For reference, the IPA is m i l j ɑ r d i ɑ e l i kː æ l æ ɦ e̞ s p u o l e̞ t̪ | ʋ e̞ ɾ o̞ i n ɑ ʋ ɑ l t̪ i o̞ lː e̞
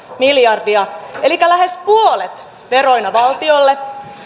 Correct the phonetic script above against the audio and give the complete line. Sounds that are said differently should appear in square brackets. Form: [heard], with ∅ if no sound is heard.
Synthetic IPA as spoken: m i l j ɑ r d i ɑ e l i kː æ l æ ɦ e̞ s p u o l e̞ t̪ | ʋ e̞ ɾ o̞ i n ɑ ʋ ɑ l t̪ i o̞ lː e̞